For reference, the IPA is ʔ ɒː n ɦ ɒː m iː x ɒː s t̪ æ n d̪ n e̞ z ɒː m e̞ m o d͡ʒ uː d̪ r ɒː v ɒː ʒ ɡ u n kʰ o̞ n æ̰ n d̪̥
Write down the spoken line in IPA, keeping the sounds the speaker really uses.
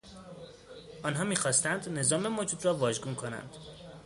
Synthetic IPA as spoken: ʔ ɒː n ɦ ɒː m iː x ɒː s t̪ æ n d̪ n e̞ z ɒː m e̞ m o d͡ʒ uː d̪ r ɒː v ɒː ʒ ɡ u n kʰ o̞ n æ̰ n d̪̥